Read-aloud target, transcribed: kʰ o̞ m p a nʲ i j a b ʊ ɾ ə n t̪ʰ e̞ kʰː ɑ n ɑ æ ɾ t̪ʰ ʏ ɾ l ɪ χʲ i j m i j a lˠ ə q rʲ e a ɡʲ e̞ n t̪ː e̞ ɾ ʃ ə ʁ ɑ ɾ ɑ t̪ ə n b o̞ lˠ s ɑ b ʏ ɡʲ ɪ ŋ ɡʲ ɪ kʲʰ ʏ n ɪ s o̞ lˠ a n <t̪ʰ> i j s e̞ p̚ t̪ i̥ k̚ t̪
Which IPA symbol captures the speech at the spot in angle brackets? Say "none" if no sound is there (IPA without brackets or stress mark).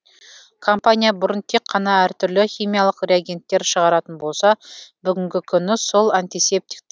t̪